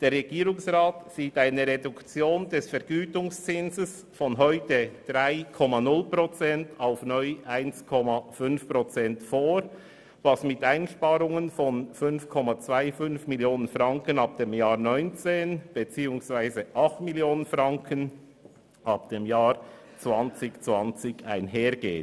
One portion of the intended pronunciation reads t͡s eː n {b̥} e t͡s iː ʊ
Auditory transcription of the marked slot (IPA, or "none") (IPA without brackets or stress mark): b̥